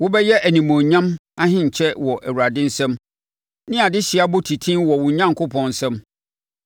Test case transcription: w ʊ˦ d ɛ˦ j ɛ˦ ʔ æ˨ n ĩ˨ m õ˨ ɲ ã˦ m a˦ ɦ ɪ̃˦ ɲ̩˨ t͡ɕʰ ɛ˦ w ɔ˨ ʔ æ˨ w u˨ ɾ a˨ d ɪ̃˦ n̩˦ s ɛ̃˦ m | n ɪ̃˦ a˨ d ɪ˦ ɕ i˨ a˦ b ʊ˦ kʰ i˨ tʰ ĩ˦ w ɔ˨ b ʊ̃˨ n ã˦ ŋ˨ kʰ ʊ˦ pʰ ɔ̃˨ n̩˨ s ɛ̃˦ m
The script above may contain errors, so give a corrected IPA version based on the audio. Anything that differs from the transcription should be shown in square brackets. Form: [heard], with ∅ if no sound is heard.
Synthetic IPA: w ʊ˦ [b] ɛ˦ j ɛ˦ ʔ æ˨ n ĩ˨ m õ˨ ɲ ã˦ m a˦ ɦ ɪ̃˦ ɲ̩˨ t͡ɕʰ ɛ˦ w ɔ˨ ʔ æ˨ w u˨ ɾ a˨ d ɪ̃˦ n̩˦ s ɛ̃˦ m | n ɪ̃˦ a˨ d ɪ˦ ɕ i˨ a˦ b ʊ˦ [tʰ] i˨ tʰ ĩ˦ w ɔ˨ [w] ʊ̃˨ [ɲ] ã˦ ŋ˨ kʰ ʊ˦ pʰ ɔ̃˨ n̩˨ s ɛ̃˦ m